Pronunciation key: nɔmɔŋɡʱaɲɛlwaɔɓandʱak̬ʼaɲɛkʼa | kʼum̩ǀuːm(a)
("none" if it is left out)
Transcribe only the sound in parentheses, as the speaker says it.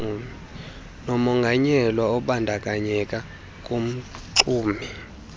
i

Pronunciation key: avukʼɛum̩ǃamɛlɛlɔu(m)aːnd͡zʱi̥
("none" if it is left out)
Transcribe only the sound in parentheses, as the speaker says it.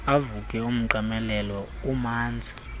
m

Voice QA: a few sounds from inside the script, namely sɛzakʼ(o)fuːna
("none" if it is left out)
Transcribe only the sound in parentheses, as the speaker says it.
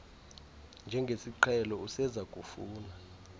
u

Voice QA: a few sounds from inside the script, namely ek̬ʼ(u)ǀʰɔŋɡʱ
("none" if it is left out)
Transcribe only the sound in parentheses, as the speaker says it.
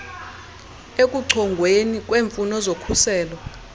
u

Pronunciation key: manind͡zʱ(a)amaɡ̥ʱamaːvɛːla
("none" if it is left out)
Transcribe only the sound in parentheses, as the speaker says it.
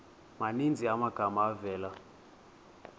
i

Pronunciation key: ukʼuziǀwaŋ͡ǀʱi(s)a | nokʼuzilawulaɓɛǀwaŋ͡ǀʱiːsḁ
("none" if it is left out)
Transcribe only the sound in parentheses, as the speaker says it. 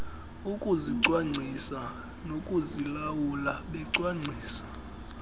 s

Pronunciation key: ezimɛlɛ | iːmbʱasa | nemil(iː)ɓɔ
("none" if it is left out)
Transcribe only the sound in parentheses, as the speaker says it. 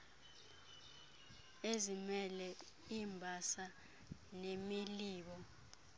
iː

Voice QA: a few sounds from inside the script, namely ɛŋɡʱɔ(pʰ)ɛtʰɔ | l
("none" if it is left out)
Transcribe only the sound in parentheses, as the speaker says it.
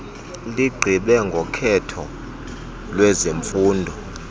kʰ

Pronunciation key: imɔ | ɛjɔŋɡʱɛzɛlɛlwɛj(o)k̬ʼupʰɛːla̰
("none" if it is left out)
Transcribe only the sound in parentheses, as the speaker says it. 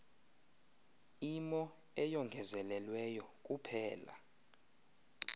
ɔ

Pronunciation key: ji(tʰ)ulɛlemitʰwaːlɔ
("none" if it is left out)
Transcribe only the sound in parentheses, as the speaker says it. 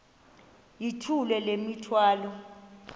tʰ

